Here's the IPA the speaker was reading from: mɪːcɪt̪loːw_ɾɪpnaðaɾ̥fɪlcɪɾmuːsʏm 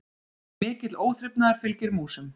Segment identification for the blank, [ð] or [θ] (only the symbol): θ